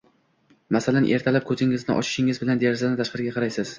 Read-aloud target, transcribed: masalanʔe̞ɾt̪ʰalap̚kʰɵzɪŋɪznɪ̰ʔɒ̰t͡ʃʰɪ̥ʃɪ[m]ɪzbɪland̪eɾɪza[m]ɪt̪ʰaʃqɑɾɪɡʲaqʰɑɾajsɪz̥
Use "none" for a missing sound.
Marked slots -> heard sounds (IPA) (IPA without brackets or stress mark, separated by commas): ŋ, n